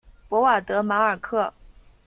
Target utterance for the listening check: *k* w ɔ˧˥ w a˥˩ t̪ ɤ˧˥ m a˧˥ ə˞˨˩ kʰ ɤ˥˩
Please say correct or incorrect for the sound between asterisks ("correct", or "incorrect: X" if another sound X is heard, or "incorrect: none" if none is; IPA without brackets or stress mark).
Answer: incorrect: p